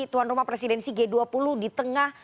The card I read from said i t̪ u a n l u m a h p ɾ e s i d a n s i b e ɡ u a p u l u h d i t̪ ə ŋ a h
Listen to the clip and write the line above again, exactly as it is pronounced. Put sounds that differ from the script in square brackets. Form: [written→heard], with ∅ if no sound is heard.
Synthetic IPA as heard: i t̪ u a n [l→r] u m a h p ɾ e s i d [a→ɛ] n s i [b→ɡ] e [ɡ→d] u a p u l u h d i t̪ ə ŋ a h